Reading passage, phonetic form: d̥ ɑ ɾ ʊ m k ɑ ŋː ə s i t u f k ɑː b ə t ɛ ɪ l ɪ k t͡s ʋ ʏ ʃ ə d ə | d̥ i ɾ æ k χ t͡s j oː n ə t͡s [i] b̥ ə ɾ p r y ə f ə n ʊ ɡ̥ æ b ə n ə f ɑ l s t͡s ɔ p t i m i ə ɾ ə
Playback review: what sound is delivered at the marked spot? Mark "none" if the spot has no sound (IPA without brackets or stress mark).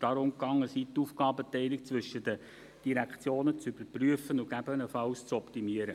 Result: y